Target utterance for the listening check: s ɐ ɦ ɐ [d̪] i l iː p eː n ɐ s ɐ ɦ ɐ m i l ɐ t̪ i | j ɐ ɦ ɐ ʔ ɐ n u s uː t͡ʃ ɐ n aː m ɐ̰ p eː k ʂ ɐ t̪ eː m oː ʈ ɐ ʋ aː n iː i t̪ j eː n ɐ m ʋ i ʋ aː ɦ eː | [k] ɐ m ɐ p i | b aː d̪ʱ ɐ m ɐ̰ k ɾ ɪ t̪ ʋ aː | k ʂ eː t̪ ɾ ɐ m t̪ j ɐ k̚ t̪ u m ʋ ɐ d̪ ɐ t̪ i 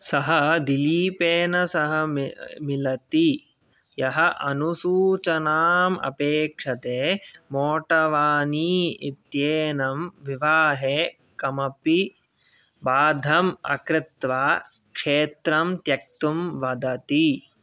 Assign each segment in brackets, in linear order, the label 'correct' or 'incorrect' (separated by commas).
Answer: correct, correct